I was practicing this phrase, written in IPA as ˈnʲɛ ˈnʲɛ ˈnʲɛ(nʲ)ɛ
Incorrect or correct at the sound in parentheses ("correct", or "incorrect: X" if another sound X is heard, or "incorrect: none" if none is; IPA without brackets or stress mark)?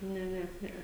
incorrect: none